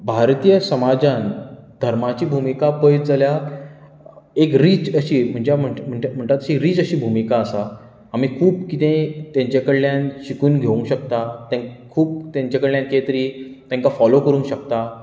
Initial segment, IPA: bʱ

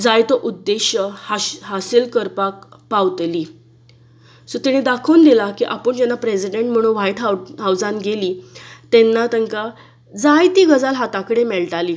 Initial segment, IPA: d͡z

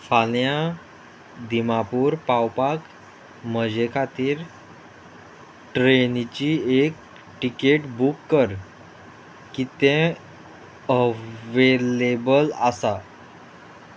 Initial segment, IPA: f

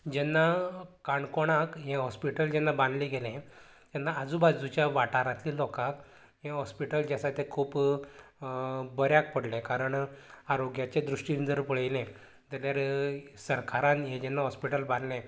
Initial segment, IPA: d͡ʑ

